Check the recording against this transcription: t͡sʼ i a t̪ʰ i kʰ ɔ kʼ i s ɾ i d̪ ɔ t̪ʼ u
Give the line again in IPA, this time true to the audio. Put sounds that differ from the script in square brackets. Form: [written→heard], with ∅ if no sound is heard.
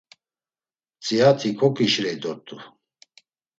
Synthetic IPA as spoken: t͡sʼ i a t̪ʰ i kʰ ɔ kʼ i [s→ʃ] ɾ [i→ɛ] d̪ ɔ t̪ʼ u

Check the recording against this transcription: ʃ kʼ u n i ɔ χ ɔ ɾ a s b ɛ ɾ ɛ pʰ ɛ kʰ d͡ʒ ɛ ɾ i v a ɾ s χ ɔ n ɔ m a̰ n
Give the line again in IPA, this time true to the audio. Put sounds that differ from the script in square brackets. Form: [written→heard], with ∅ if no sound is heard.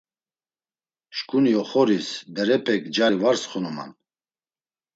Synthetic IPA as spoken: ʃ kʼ u n i ɔ χ ɔ ɾ [a→i] s b ɛ ɾ ɛ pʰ ɛ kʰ d͡ʒ [ɛ→a] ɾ i v a ɾ s χ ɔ n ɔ m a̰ n

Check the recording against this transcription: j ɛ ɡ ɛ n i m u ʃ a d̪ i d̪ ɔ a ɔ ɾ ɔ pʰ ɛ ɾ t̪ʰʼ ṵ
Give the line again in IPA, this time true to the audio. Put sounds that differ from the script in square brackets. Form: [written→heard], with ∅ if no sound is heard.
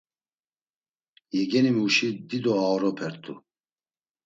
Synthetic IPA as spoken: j ɛ ɡ ɛ n i m u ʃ [a→i] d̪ i d̪ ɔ a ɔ ɾ ɔ pʰ ɛ ɾ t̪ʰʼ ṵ

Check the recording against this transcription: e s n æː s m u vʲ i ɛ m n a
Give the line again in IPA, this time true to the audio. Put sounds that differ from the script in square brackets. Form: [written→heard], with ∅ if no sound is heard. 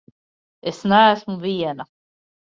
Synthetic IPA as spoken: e s n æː s m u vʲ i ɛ [m→∅] n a

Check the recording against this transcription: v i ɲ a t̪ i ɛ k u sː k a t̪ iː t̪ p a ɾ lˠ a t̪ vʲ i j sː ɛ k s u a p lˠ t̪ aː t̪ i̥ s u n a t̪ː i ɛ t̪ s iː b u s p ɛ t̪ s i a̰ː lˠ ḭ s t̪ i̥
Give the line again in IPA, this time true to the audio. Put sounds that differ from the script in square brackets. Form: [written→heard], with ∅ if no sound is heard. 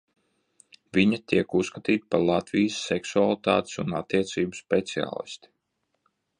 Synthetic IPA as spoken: v i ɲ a t̪ i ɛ k u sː k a t̪ iː t̪ p a ɾ lˠ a t̪ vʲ i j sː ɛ k s u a [p→∅] lˠ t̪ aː t̪ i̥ s u n a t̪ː i ɛ t̪ s iː b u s p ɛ t̪ s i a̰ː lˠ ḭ s t̪ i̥

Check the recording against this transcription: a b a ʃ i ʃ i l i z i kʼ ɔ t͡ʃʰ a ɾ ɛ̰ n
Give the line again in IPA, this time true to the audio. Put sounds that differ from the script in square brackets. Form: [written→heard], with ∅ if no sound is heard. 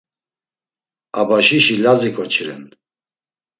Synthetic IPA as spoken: a b a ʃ i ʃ i l [i→a] z i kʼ ɔ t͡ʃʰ [a→i] ɾ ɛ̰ n

